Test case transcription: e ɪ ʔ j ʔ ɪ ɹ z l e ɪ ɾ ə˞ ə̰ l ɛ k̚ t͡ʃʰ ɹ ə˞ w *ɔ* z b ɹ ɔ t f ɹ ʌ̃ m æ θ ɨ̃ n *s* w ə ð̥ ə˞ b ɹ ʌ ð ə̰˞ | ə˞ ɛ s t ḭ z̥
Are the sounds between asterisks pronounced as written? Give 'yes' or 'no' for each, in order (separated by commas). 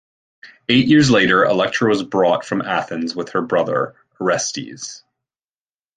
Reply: no, no